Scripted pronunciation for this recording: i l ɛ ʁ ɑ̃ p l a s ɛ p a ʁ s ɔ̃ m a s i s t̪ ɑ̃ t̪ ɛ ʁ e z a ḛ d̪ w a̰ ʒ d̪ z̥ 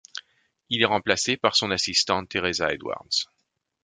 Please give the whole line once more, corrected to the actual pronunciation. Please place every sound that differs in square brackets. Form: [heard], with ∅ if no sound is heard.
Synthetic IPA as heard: i l ɛ ʁ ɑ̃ p l a s [e] p a ʁ s ɔ̃ [n] a s i s t̪ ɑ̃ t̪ [e] ʁ e z a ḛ d̪ w a̰ [ʁ] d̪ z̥